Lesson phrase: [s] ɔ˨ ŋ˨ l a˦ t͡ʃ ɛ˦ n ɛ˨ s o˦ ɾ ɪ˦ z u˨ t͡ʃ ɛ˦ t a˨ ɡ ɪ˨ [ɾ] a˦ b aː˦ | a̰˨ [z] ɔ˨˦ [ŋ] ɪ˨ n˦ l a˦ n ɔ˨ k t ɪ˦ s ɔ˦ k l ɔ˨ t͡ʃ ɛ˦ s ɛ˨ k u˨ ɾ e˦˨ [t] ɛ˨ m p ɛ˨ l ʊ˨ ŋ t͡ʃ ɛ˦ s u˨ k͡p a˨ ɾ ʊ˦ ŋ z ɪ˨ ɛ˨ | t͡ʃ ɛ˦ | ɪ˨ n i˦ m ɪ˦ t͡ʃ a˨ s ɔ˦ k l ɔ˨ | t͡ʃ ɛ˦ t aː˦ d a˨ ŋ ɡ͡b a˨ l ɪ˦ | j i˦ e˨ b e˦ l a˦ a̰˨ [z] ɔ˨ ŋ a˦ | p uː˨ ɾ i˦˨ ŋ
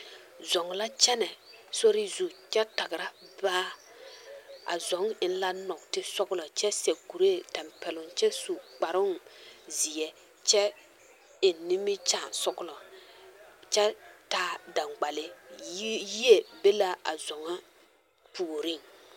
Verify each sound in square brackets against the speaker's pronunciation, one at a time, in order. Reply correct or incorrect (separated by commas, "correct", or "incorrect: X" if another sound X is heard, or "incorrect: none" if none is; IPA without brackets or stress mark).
incorrect: z, correct, correct, correct, correct, correct